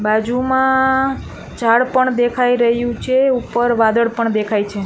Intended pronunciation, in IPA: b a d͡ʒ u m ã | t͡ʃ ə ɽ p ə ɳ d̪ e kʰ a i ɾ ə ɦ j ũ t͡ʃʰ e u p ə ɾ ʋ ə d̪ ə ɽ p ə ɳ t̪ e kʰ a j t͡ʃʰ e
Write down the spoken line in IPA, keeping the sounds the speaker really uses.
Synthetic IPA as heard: b a d͡ʒ u m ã | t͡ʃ a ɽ p ə ɳ d̪ e kʰ a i ɾ ə ɦ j ũ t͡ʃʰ e u p ə ɾ ʋ a d̪ ə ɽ p ə ɳ d̪ e kʰ a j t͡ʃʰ e